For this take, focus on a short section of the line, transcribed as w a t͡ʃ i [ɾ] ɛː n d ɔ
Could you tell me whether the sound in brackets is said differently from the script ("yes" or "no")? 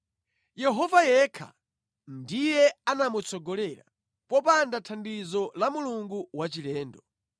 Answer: yes